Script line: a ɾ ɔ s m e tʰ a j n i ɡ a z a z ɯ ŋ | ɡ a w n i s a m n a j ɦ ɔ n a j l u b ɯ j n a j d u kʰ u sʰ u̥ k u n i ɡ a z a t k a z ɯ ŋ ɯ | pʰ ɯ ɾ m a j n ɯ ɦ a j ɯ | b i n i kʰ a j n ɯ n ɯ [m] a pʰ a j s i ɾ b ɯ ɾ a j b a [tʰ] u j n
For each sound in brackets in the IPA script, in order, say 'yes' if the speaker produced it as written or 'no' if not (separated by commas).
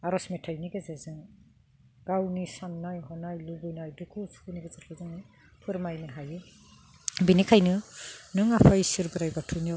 no, yes